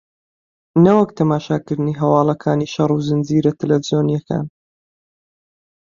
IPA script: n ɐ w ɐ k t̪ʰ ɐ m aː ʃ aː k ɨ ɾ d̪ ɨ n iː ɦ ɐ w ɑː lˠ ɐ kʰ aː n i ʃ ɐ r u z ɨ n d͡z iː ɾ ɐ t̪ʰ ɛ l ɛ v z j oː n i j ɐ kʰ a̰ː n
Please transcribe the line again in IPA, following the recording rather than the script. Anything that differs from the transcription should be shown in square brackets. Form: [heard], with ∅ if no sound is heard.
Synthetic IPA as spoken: n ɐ w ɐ k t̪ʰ ɐ m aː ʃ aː k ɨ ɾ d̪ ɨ n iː ɦ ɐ w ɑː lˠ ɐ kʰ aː n i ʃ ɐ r u z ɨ n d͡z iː ɾ ɐ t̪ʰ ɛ l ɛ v z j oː n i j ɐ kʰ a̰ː n